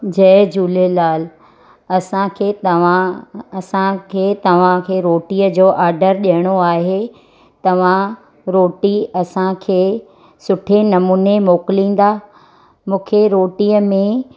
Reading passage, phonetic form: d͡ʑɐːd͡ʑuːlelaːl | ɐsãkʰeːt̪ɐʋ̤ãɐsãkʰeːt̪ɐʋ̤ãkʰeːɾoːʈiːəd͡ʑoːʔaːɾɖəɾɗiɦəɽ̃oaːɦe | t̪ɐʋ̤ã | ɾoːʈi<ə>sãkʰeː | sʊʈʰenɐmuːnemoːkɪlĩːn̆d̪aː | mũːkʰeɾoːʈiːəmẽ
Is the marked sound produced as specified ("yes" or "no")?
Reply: no